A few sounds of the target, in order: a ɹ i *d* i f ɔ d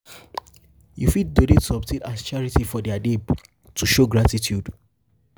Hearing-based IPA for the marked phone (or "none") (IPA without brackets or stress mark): t